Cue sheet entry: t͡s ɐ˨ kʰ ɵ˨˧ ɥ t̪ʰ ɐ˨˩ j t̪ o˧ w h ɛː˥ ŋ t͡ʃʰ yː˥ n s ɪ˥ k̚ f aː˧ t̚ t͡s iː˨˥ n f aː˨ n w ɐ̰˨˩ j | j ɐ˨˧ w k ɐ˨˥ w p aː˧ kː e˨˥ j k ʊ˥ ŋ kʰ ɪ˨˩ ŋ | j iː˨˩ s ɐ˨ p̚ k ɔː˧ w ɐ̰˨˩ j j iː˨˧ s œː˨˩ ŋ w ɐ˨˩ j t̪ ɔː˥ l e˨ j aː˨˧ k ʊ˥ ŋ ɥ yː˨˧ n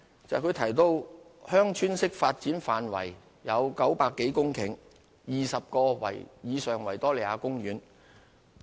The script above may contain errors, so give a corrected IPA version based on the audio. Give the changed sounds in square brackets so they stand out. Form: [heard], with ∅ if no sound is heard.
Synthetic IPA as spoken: t͡s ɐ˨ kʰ ɵ˨˧ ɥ t̪ʰ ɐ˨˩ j t̪ o˧ w h [œː˥] ŋ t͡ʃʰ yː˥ n s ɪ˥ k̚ f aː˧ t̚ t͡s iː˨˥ n f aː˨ n w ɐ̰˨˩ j | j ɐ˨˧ w k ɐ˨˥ w p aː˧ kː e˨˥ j k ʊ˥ ŋ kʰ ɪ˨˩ ŋ | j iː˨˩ s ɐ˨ p̚ k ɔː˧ w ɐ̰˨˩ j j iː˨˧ s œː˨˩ ŋ w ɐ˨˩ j t̪ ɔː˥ l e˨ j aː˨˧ k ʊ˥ ŋ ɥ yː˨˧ n